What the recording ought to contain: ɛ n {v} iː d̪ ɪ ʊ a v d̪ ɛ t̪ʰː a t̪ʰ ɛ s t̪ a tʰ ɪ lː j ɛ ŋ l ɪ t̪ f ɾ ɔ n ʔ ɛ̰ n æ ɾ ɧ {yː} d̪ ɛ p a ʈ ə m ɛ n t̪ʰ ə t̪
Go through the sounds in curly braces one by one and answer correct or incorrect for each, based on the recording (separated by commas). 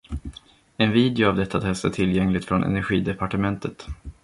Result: correct, incorrect